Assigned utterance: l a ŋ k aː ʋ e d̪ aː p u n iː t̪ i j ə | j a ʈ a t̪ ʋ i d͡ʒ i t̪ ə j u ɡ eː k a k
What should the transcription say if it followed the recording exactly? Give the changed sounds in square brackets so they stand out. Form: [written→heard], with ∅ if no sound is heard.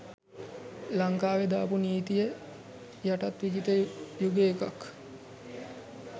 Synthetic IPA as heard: l a ŋ k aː ʋ e d̪ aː p u n iː t̪ i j ə | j a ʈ a t̪ ʋ i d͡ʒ i t̪ ə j u ɡ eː k a k